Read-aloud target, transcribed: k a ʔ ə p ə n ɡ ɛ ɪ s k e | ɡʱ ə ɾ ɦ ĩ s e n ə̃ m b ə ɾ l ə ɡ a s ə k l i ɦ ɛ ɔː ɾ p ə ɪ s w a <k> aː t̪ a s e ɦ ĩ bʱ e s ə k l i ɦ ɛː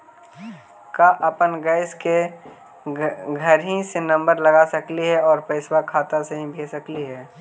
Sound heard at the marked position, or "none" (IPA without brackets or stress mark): kʰ